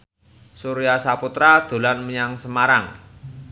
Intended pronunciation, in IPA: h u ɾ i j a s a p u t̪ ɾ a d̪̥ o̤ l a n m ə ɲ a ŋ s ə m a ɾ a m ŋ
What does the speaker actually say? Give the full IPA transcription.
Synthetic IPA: s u ɾ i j a s a p u t̪ ɾ a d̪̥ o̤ l a n m ə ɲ a ŋ s ə m a ɾ a ŋ